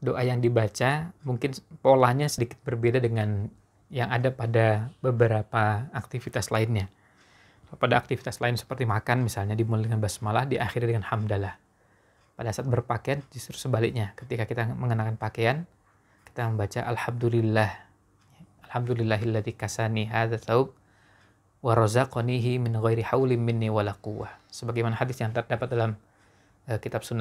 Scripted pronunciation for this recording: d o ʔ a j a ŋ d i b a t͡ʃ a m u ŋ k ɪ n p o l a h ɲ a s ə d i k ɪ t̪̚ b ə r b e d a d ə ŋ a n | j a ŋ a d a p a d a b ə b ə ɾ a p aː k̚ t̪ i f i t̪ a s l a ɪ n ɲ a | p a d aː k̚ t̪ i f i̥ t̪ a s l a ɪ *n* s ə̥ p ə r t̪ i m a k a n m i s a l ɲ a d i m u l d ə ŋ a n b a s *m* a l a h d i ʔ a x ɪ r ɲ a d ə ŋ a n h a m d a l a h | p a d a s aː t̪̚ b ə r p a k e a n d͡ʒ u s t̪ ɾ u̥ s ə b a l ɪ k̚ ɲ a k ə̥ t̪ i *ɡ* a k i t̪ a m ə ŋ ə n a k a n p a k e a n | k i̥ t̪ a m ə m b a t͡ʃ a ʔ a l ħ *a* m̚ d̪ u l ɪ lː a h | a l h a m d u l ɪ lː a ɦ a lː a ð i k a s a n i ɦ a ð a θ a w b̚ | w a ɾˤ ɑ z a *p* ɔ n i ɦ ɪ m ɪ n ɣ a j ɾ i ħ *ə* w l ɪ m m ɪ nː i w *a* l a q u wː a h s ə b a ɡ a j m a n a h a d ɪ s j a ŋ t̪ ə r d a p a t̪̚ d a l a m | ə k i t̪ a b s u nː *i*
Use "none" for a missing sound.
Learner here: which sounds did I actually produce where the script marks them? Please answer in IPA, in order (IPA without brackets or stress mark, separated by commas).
n, m, k, a, q, a, a, a